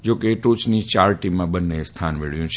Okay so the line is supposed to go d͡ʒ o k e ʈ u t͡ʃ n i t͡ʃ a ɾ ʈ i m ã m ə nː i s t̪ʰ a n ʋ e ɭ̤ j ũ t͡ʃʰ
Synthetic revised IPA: d͡ʒ o k e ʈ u t͡ʃ n i t͡ʃ a ɾ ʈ i m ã b ə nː e s t̪ʰ a n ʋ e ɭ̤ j ũ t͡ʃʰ